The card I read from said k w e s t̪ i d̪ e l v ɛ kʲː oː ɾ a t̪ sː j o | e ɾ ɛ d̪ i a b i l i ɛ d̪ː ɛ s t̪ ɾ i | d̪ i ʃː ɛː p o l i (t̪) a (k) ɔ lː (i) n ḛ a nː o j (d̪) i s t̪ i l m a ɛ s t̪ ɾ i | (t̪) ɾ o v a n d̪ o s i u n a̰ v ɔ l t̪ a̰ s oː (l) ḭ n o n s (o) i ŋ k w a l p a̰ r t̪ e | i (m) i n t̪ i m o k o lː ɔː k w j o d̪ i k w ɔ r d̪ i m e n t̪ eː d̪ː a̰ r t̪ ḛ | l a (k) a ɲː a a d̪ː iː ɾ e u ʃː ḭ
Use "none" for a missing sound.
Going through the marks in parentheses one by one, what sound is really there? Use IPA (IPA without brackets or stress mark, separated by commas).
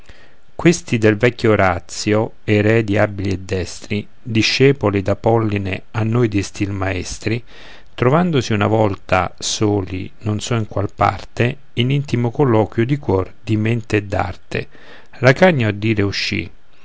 d̪, p, i, d̪, t̪, l, ɔ, n, k